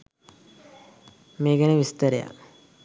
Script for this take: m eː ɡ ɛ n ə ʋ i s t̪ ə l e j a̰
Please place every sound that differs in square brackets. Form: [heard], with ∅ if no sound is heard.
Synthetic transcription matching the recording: m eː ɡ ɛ n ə ʋ i s t̪ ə [ɾ] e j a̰

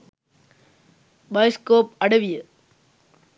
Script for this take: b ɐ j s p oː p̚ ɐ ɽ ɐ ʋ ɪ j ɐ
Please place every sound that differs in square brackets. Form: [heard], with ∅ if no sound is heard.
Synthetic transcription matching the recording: b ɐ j s [k] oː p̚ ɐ ɽ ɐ ʋ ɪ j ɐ

